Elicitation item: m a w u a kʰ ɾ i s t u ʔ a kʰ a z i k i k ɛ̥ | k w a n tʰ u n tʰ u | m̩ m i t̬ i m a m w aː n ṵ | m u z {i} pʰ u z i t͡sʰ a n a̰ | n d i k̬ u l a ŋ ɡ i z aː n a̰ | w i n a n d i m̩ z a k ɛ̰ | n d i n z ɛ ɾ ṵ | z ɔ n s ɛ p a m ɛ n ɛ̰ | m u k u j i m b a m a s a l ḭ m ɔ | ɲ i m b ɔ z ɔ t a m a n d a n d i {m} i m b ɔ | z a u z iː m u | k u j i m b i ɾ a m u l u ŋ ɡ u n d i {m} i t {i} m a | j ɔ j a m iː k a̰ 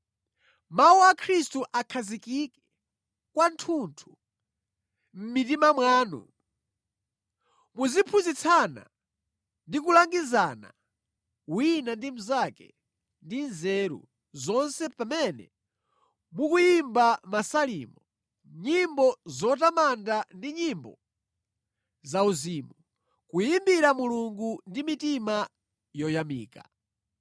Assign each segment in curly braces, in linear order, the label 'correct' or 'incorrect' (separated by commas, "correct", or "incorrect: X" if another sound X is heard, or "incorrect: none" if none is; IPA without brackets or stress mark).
correct, incorrect: ɲ, correct, correct